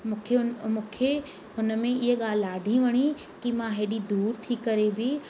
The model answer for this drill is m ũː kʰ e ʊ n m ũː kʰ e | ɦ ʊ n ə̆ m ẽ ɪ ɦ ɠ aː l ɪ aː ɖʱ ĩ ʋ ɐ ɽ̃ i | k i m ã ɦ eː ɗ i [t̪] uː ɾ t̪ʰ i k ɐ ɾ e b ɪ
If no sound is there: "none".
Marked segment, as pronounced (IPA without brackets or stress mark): d̪